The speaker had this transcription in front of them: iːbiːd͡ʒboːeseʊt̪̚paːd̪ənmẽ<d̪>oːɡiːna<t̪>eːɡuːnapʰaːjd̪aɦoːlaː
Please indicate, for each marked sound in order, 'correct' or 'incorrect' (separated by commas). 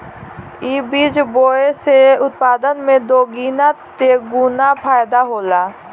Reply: correct, correct